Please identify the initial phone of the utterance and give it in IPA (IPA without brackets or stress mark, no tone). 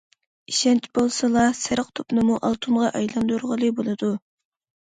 i